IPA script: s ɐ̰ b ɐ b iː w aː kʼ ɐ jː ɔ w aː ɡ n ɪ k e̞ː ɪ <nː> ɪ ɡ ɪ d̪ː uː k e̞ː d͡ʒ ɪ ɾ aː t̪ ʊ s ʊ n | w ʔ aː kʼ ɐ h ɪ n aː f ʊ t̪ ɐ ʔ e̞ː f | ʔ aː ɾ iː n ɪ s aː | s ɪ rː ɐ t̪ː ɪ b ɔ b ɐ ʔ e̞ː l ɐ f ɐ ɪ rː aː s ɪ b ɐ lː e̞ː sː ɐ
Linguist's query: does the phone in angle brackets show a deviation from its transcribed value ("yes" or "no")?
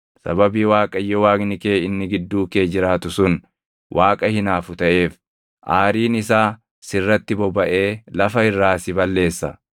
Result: no